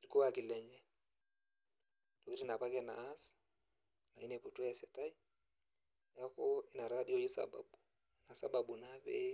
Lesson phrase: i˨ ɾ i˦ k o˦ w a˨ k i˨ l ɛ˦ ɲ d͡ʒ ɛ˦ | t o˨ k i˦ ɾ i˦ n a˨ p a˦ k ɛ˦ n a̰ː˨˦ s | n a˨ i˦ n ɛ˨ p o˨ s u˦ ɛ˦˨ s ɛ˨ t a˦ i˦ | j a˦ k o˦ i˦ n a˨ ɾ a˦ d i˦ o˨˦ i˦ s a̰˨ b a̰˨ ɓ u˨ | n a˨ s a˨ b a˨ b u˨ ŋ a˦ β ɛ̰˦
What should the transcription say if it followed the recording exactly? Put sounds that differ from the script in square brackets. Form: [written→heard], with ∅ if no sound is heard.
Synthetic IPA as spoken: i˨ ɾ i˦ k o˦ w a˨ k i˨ l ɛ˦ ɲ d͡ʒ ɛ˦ | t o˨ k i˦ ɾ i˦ n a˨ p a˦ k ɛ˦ n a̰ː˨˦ s | n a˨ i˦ n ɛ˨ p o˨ [s→t] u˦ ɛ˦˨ s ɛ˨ t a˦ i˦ | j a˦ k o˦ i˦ n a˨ ɾ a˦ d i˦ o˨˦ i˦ s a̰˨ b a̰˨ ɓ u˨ | n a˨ s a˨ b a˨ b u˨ [ŋ→n] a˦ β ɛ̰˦